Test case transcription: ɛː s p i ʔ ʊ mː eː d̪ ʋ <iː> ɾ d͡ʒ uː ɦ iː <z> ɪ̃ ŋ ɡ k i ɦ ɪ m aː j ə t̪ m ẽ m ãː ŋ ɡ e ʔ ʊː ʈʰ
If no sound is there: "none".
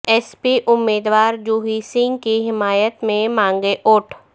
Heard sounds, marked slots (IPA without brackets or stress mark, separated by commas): aː, s